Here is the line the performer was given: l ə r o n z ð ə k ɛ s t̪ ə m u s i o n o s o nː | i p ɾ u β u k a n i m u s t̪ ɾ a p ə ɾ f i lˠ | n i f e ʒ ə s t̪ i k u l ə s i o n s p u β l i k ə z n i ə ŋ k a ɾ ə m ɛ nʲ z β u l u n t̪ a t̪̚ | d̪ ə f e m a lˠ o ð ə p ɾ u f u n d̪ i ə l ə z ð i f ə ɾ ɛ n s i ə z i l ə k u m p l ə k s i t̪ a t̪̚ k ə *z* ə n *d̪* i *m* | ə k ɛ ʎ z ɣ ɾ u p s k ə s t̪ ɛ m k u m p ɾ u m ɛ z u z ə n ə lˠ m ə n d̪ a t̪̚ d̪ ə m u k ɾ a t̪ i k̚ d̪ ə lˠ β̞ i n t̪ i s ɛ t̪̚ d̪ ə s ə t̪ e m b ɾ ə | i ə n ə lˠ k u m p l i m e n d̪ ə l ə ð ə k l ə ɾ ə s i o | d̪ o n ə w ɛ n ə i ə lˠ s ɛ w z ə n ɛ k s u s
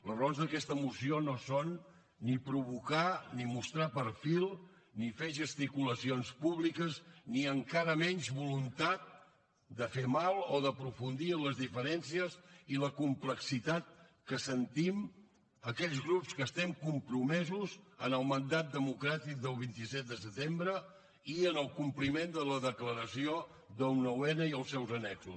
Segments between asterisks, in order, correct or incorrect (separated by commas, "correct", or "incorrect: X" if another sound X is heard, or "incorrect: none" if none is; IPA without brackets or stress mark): incorrect: s, incorrect: t̪, correct